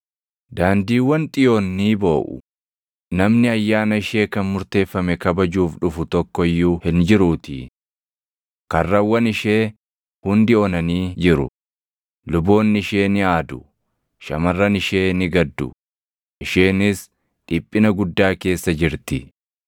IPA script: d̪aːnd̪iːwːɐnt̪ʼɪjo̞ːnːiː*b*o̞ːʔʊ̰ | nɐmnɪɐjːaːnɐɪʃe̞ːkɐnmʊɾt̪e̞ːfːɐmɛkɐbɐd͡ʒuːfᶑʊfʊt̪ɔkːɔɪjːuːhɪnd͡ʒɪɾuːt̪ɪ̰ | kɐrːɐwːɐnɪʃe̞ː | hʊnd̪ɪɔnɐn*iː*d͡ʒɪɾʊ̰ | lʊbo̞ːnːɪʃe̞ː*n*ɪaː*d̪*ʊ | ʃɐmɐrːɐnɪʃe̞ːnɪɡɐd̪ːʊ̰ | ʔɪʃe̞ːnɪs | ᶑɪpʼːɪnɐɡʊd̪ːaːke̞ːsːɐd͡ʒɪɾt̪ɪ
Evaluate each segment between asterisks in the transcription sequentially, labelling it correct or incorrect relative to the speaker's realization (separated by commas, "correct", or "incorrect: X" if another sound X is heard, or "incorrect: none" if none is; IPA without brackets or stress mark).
correct, correct, correct, correct